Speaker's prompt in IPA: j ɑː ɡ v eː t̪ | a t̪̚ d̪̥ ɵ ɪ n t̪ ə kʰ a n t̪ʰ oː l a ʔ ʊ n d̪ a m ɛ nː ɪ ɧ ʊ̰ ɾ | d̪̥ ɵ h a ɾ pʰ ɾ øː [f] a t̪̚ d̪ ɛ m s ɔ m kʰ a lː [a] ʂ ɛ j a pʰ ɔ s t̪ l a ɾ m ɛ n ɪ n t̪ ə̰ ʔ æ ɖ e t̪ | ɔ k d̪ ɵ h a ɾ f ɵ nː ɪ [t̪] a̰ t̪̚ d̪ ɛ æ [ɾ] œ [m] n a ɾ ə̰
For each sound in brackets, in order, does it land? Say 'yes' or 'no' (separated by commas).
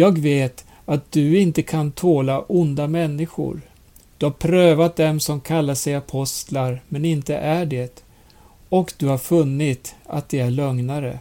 no, yes, yes, no, no